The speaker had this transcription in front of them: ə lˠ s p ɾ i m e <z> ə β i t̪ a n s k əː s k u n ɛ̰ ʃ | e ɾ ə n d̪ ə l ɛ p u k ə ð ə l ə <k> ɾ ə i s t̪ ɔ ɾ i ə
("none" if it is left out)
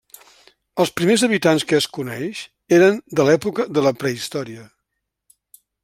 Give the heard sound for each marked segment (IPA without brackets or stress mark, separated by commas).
z, p